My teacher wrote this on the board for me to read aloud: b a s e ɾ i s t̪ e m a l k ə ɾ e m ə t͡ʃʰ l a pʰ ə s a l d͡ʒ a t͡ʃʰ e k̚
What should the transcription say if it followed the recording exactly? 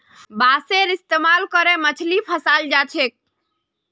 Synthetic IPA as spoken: b a s e ɾ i s t̪ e m a l k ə ɾ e m ə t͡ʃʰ l i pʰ ə s a l d͡ʒ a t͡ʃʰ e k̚